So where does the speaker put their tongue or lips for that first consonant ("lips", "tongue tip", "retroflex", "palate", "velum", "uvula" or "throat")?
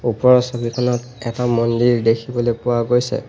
lips